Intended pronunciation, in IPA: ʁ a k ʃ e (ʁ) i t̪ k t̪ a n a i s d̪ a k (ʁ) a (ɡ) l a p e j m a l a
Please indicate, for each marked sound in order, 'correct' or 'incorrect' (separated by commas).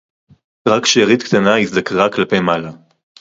correct, correct, incorrect